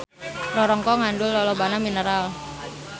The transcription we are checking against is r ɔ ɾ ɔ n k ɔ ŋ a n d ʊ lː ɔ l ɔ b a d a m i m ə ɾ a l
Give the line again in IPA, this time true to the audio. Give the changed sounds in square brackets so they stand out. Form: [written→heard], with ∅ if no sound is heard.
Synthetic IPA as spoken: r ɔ ɾ ɔ [n→ŋ] k ɔ ŋ a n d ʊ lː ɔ l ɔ b a [d→n] a m i [m→n] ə ɾ a l